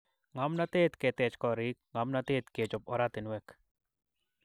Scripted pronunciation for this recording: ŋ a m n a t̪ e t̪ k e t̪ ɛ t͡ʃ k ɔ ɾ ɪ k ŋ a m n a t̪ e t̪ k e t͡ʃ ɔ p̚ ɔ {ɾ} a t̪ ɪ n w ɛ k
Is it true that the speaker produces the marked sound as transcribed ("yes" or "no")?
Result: yes